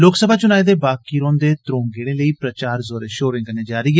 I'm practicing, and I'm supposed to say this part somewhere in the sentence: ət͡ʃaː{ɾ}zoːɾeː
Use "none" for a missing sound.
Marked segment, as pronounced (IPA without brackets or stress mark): ɾ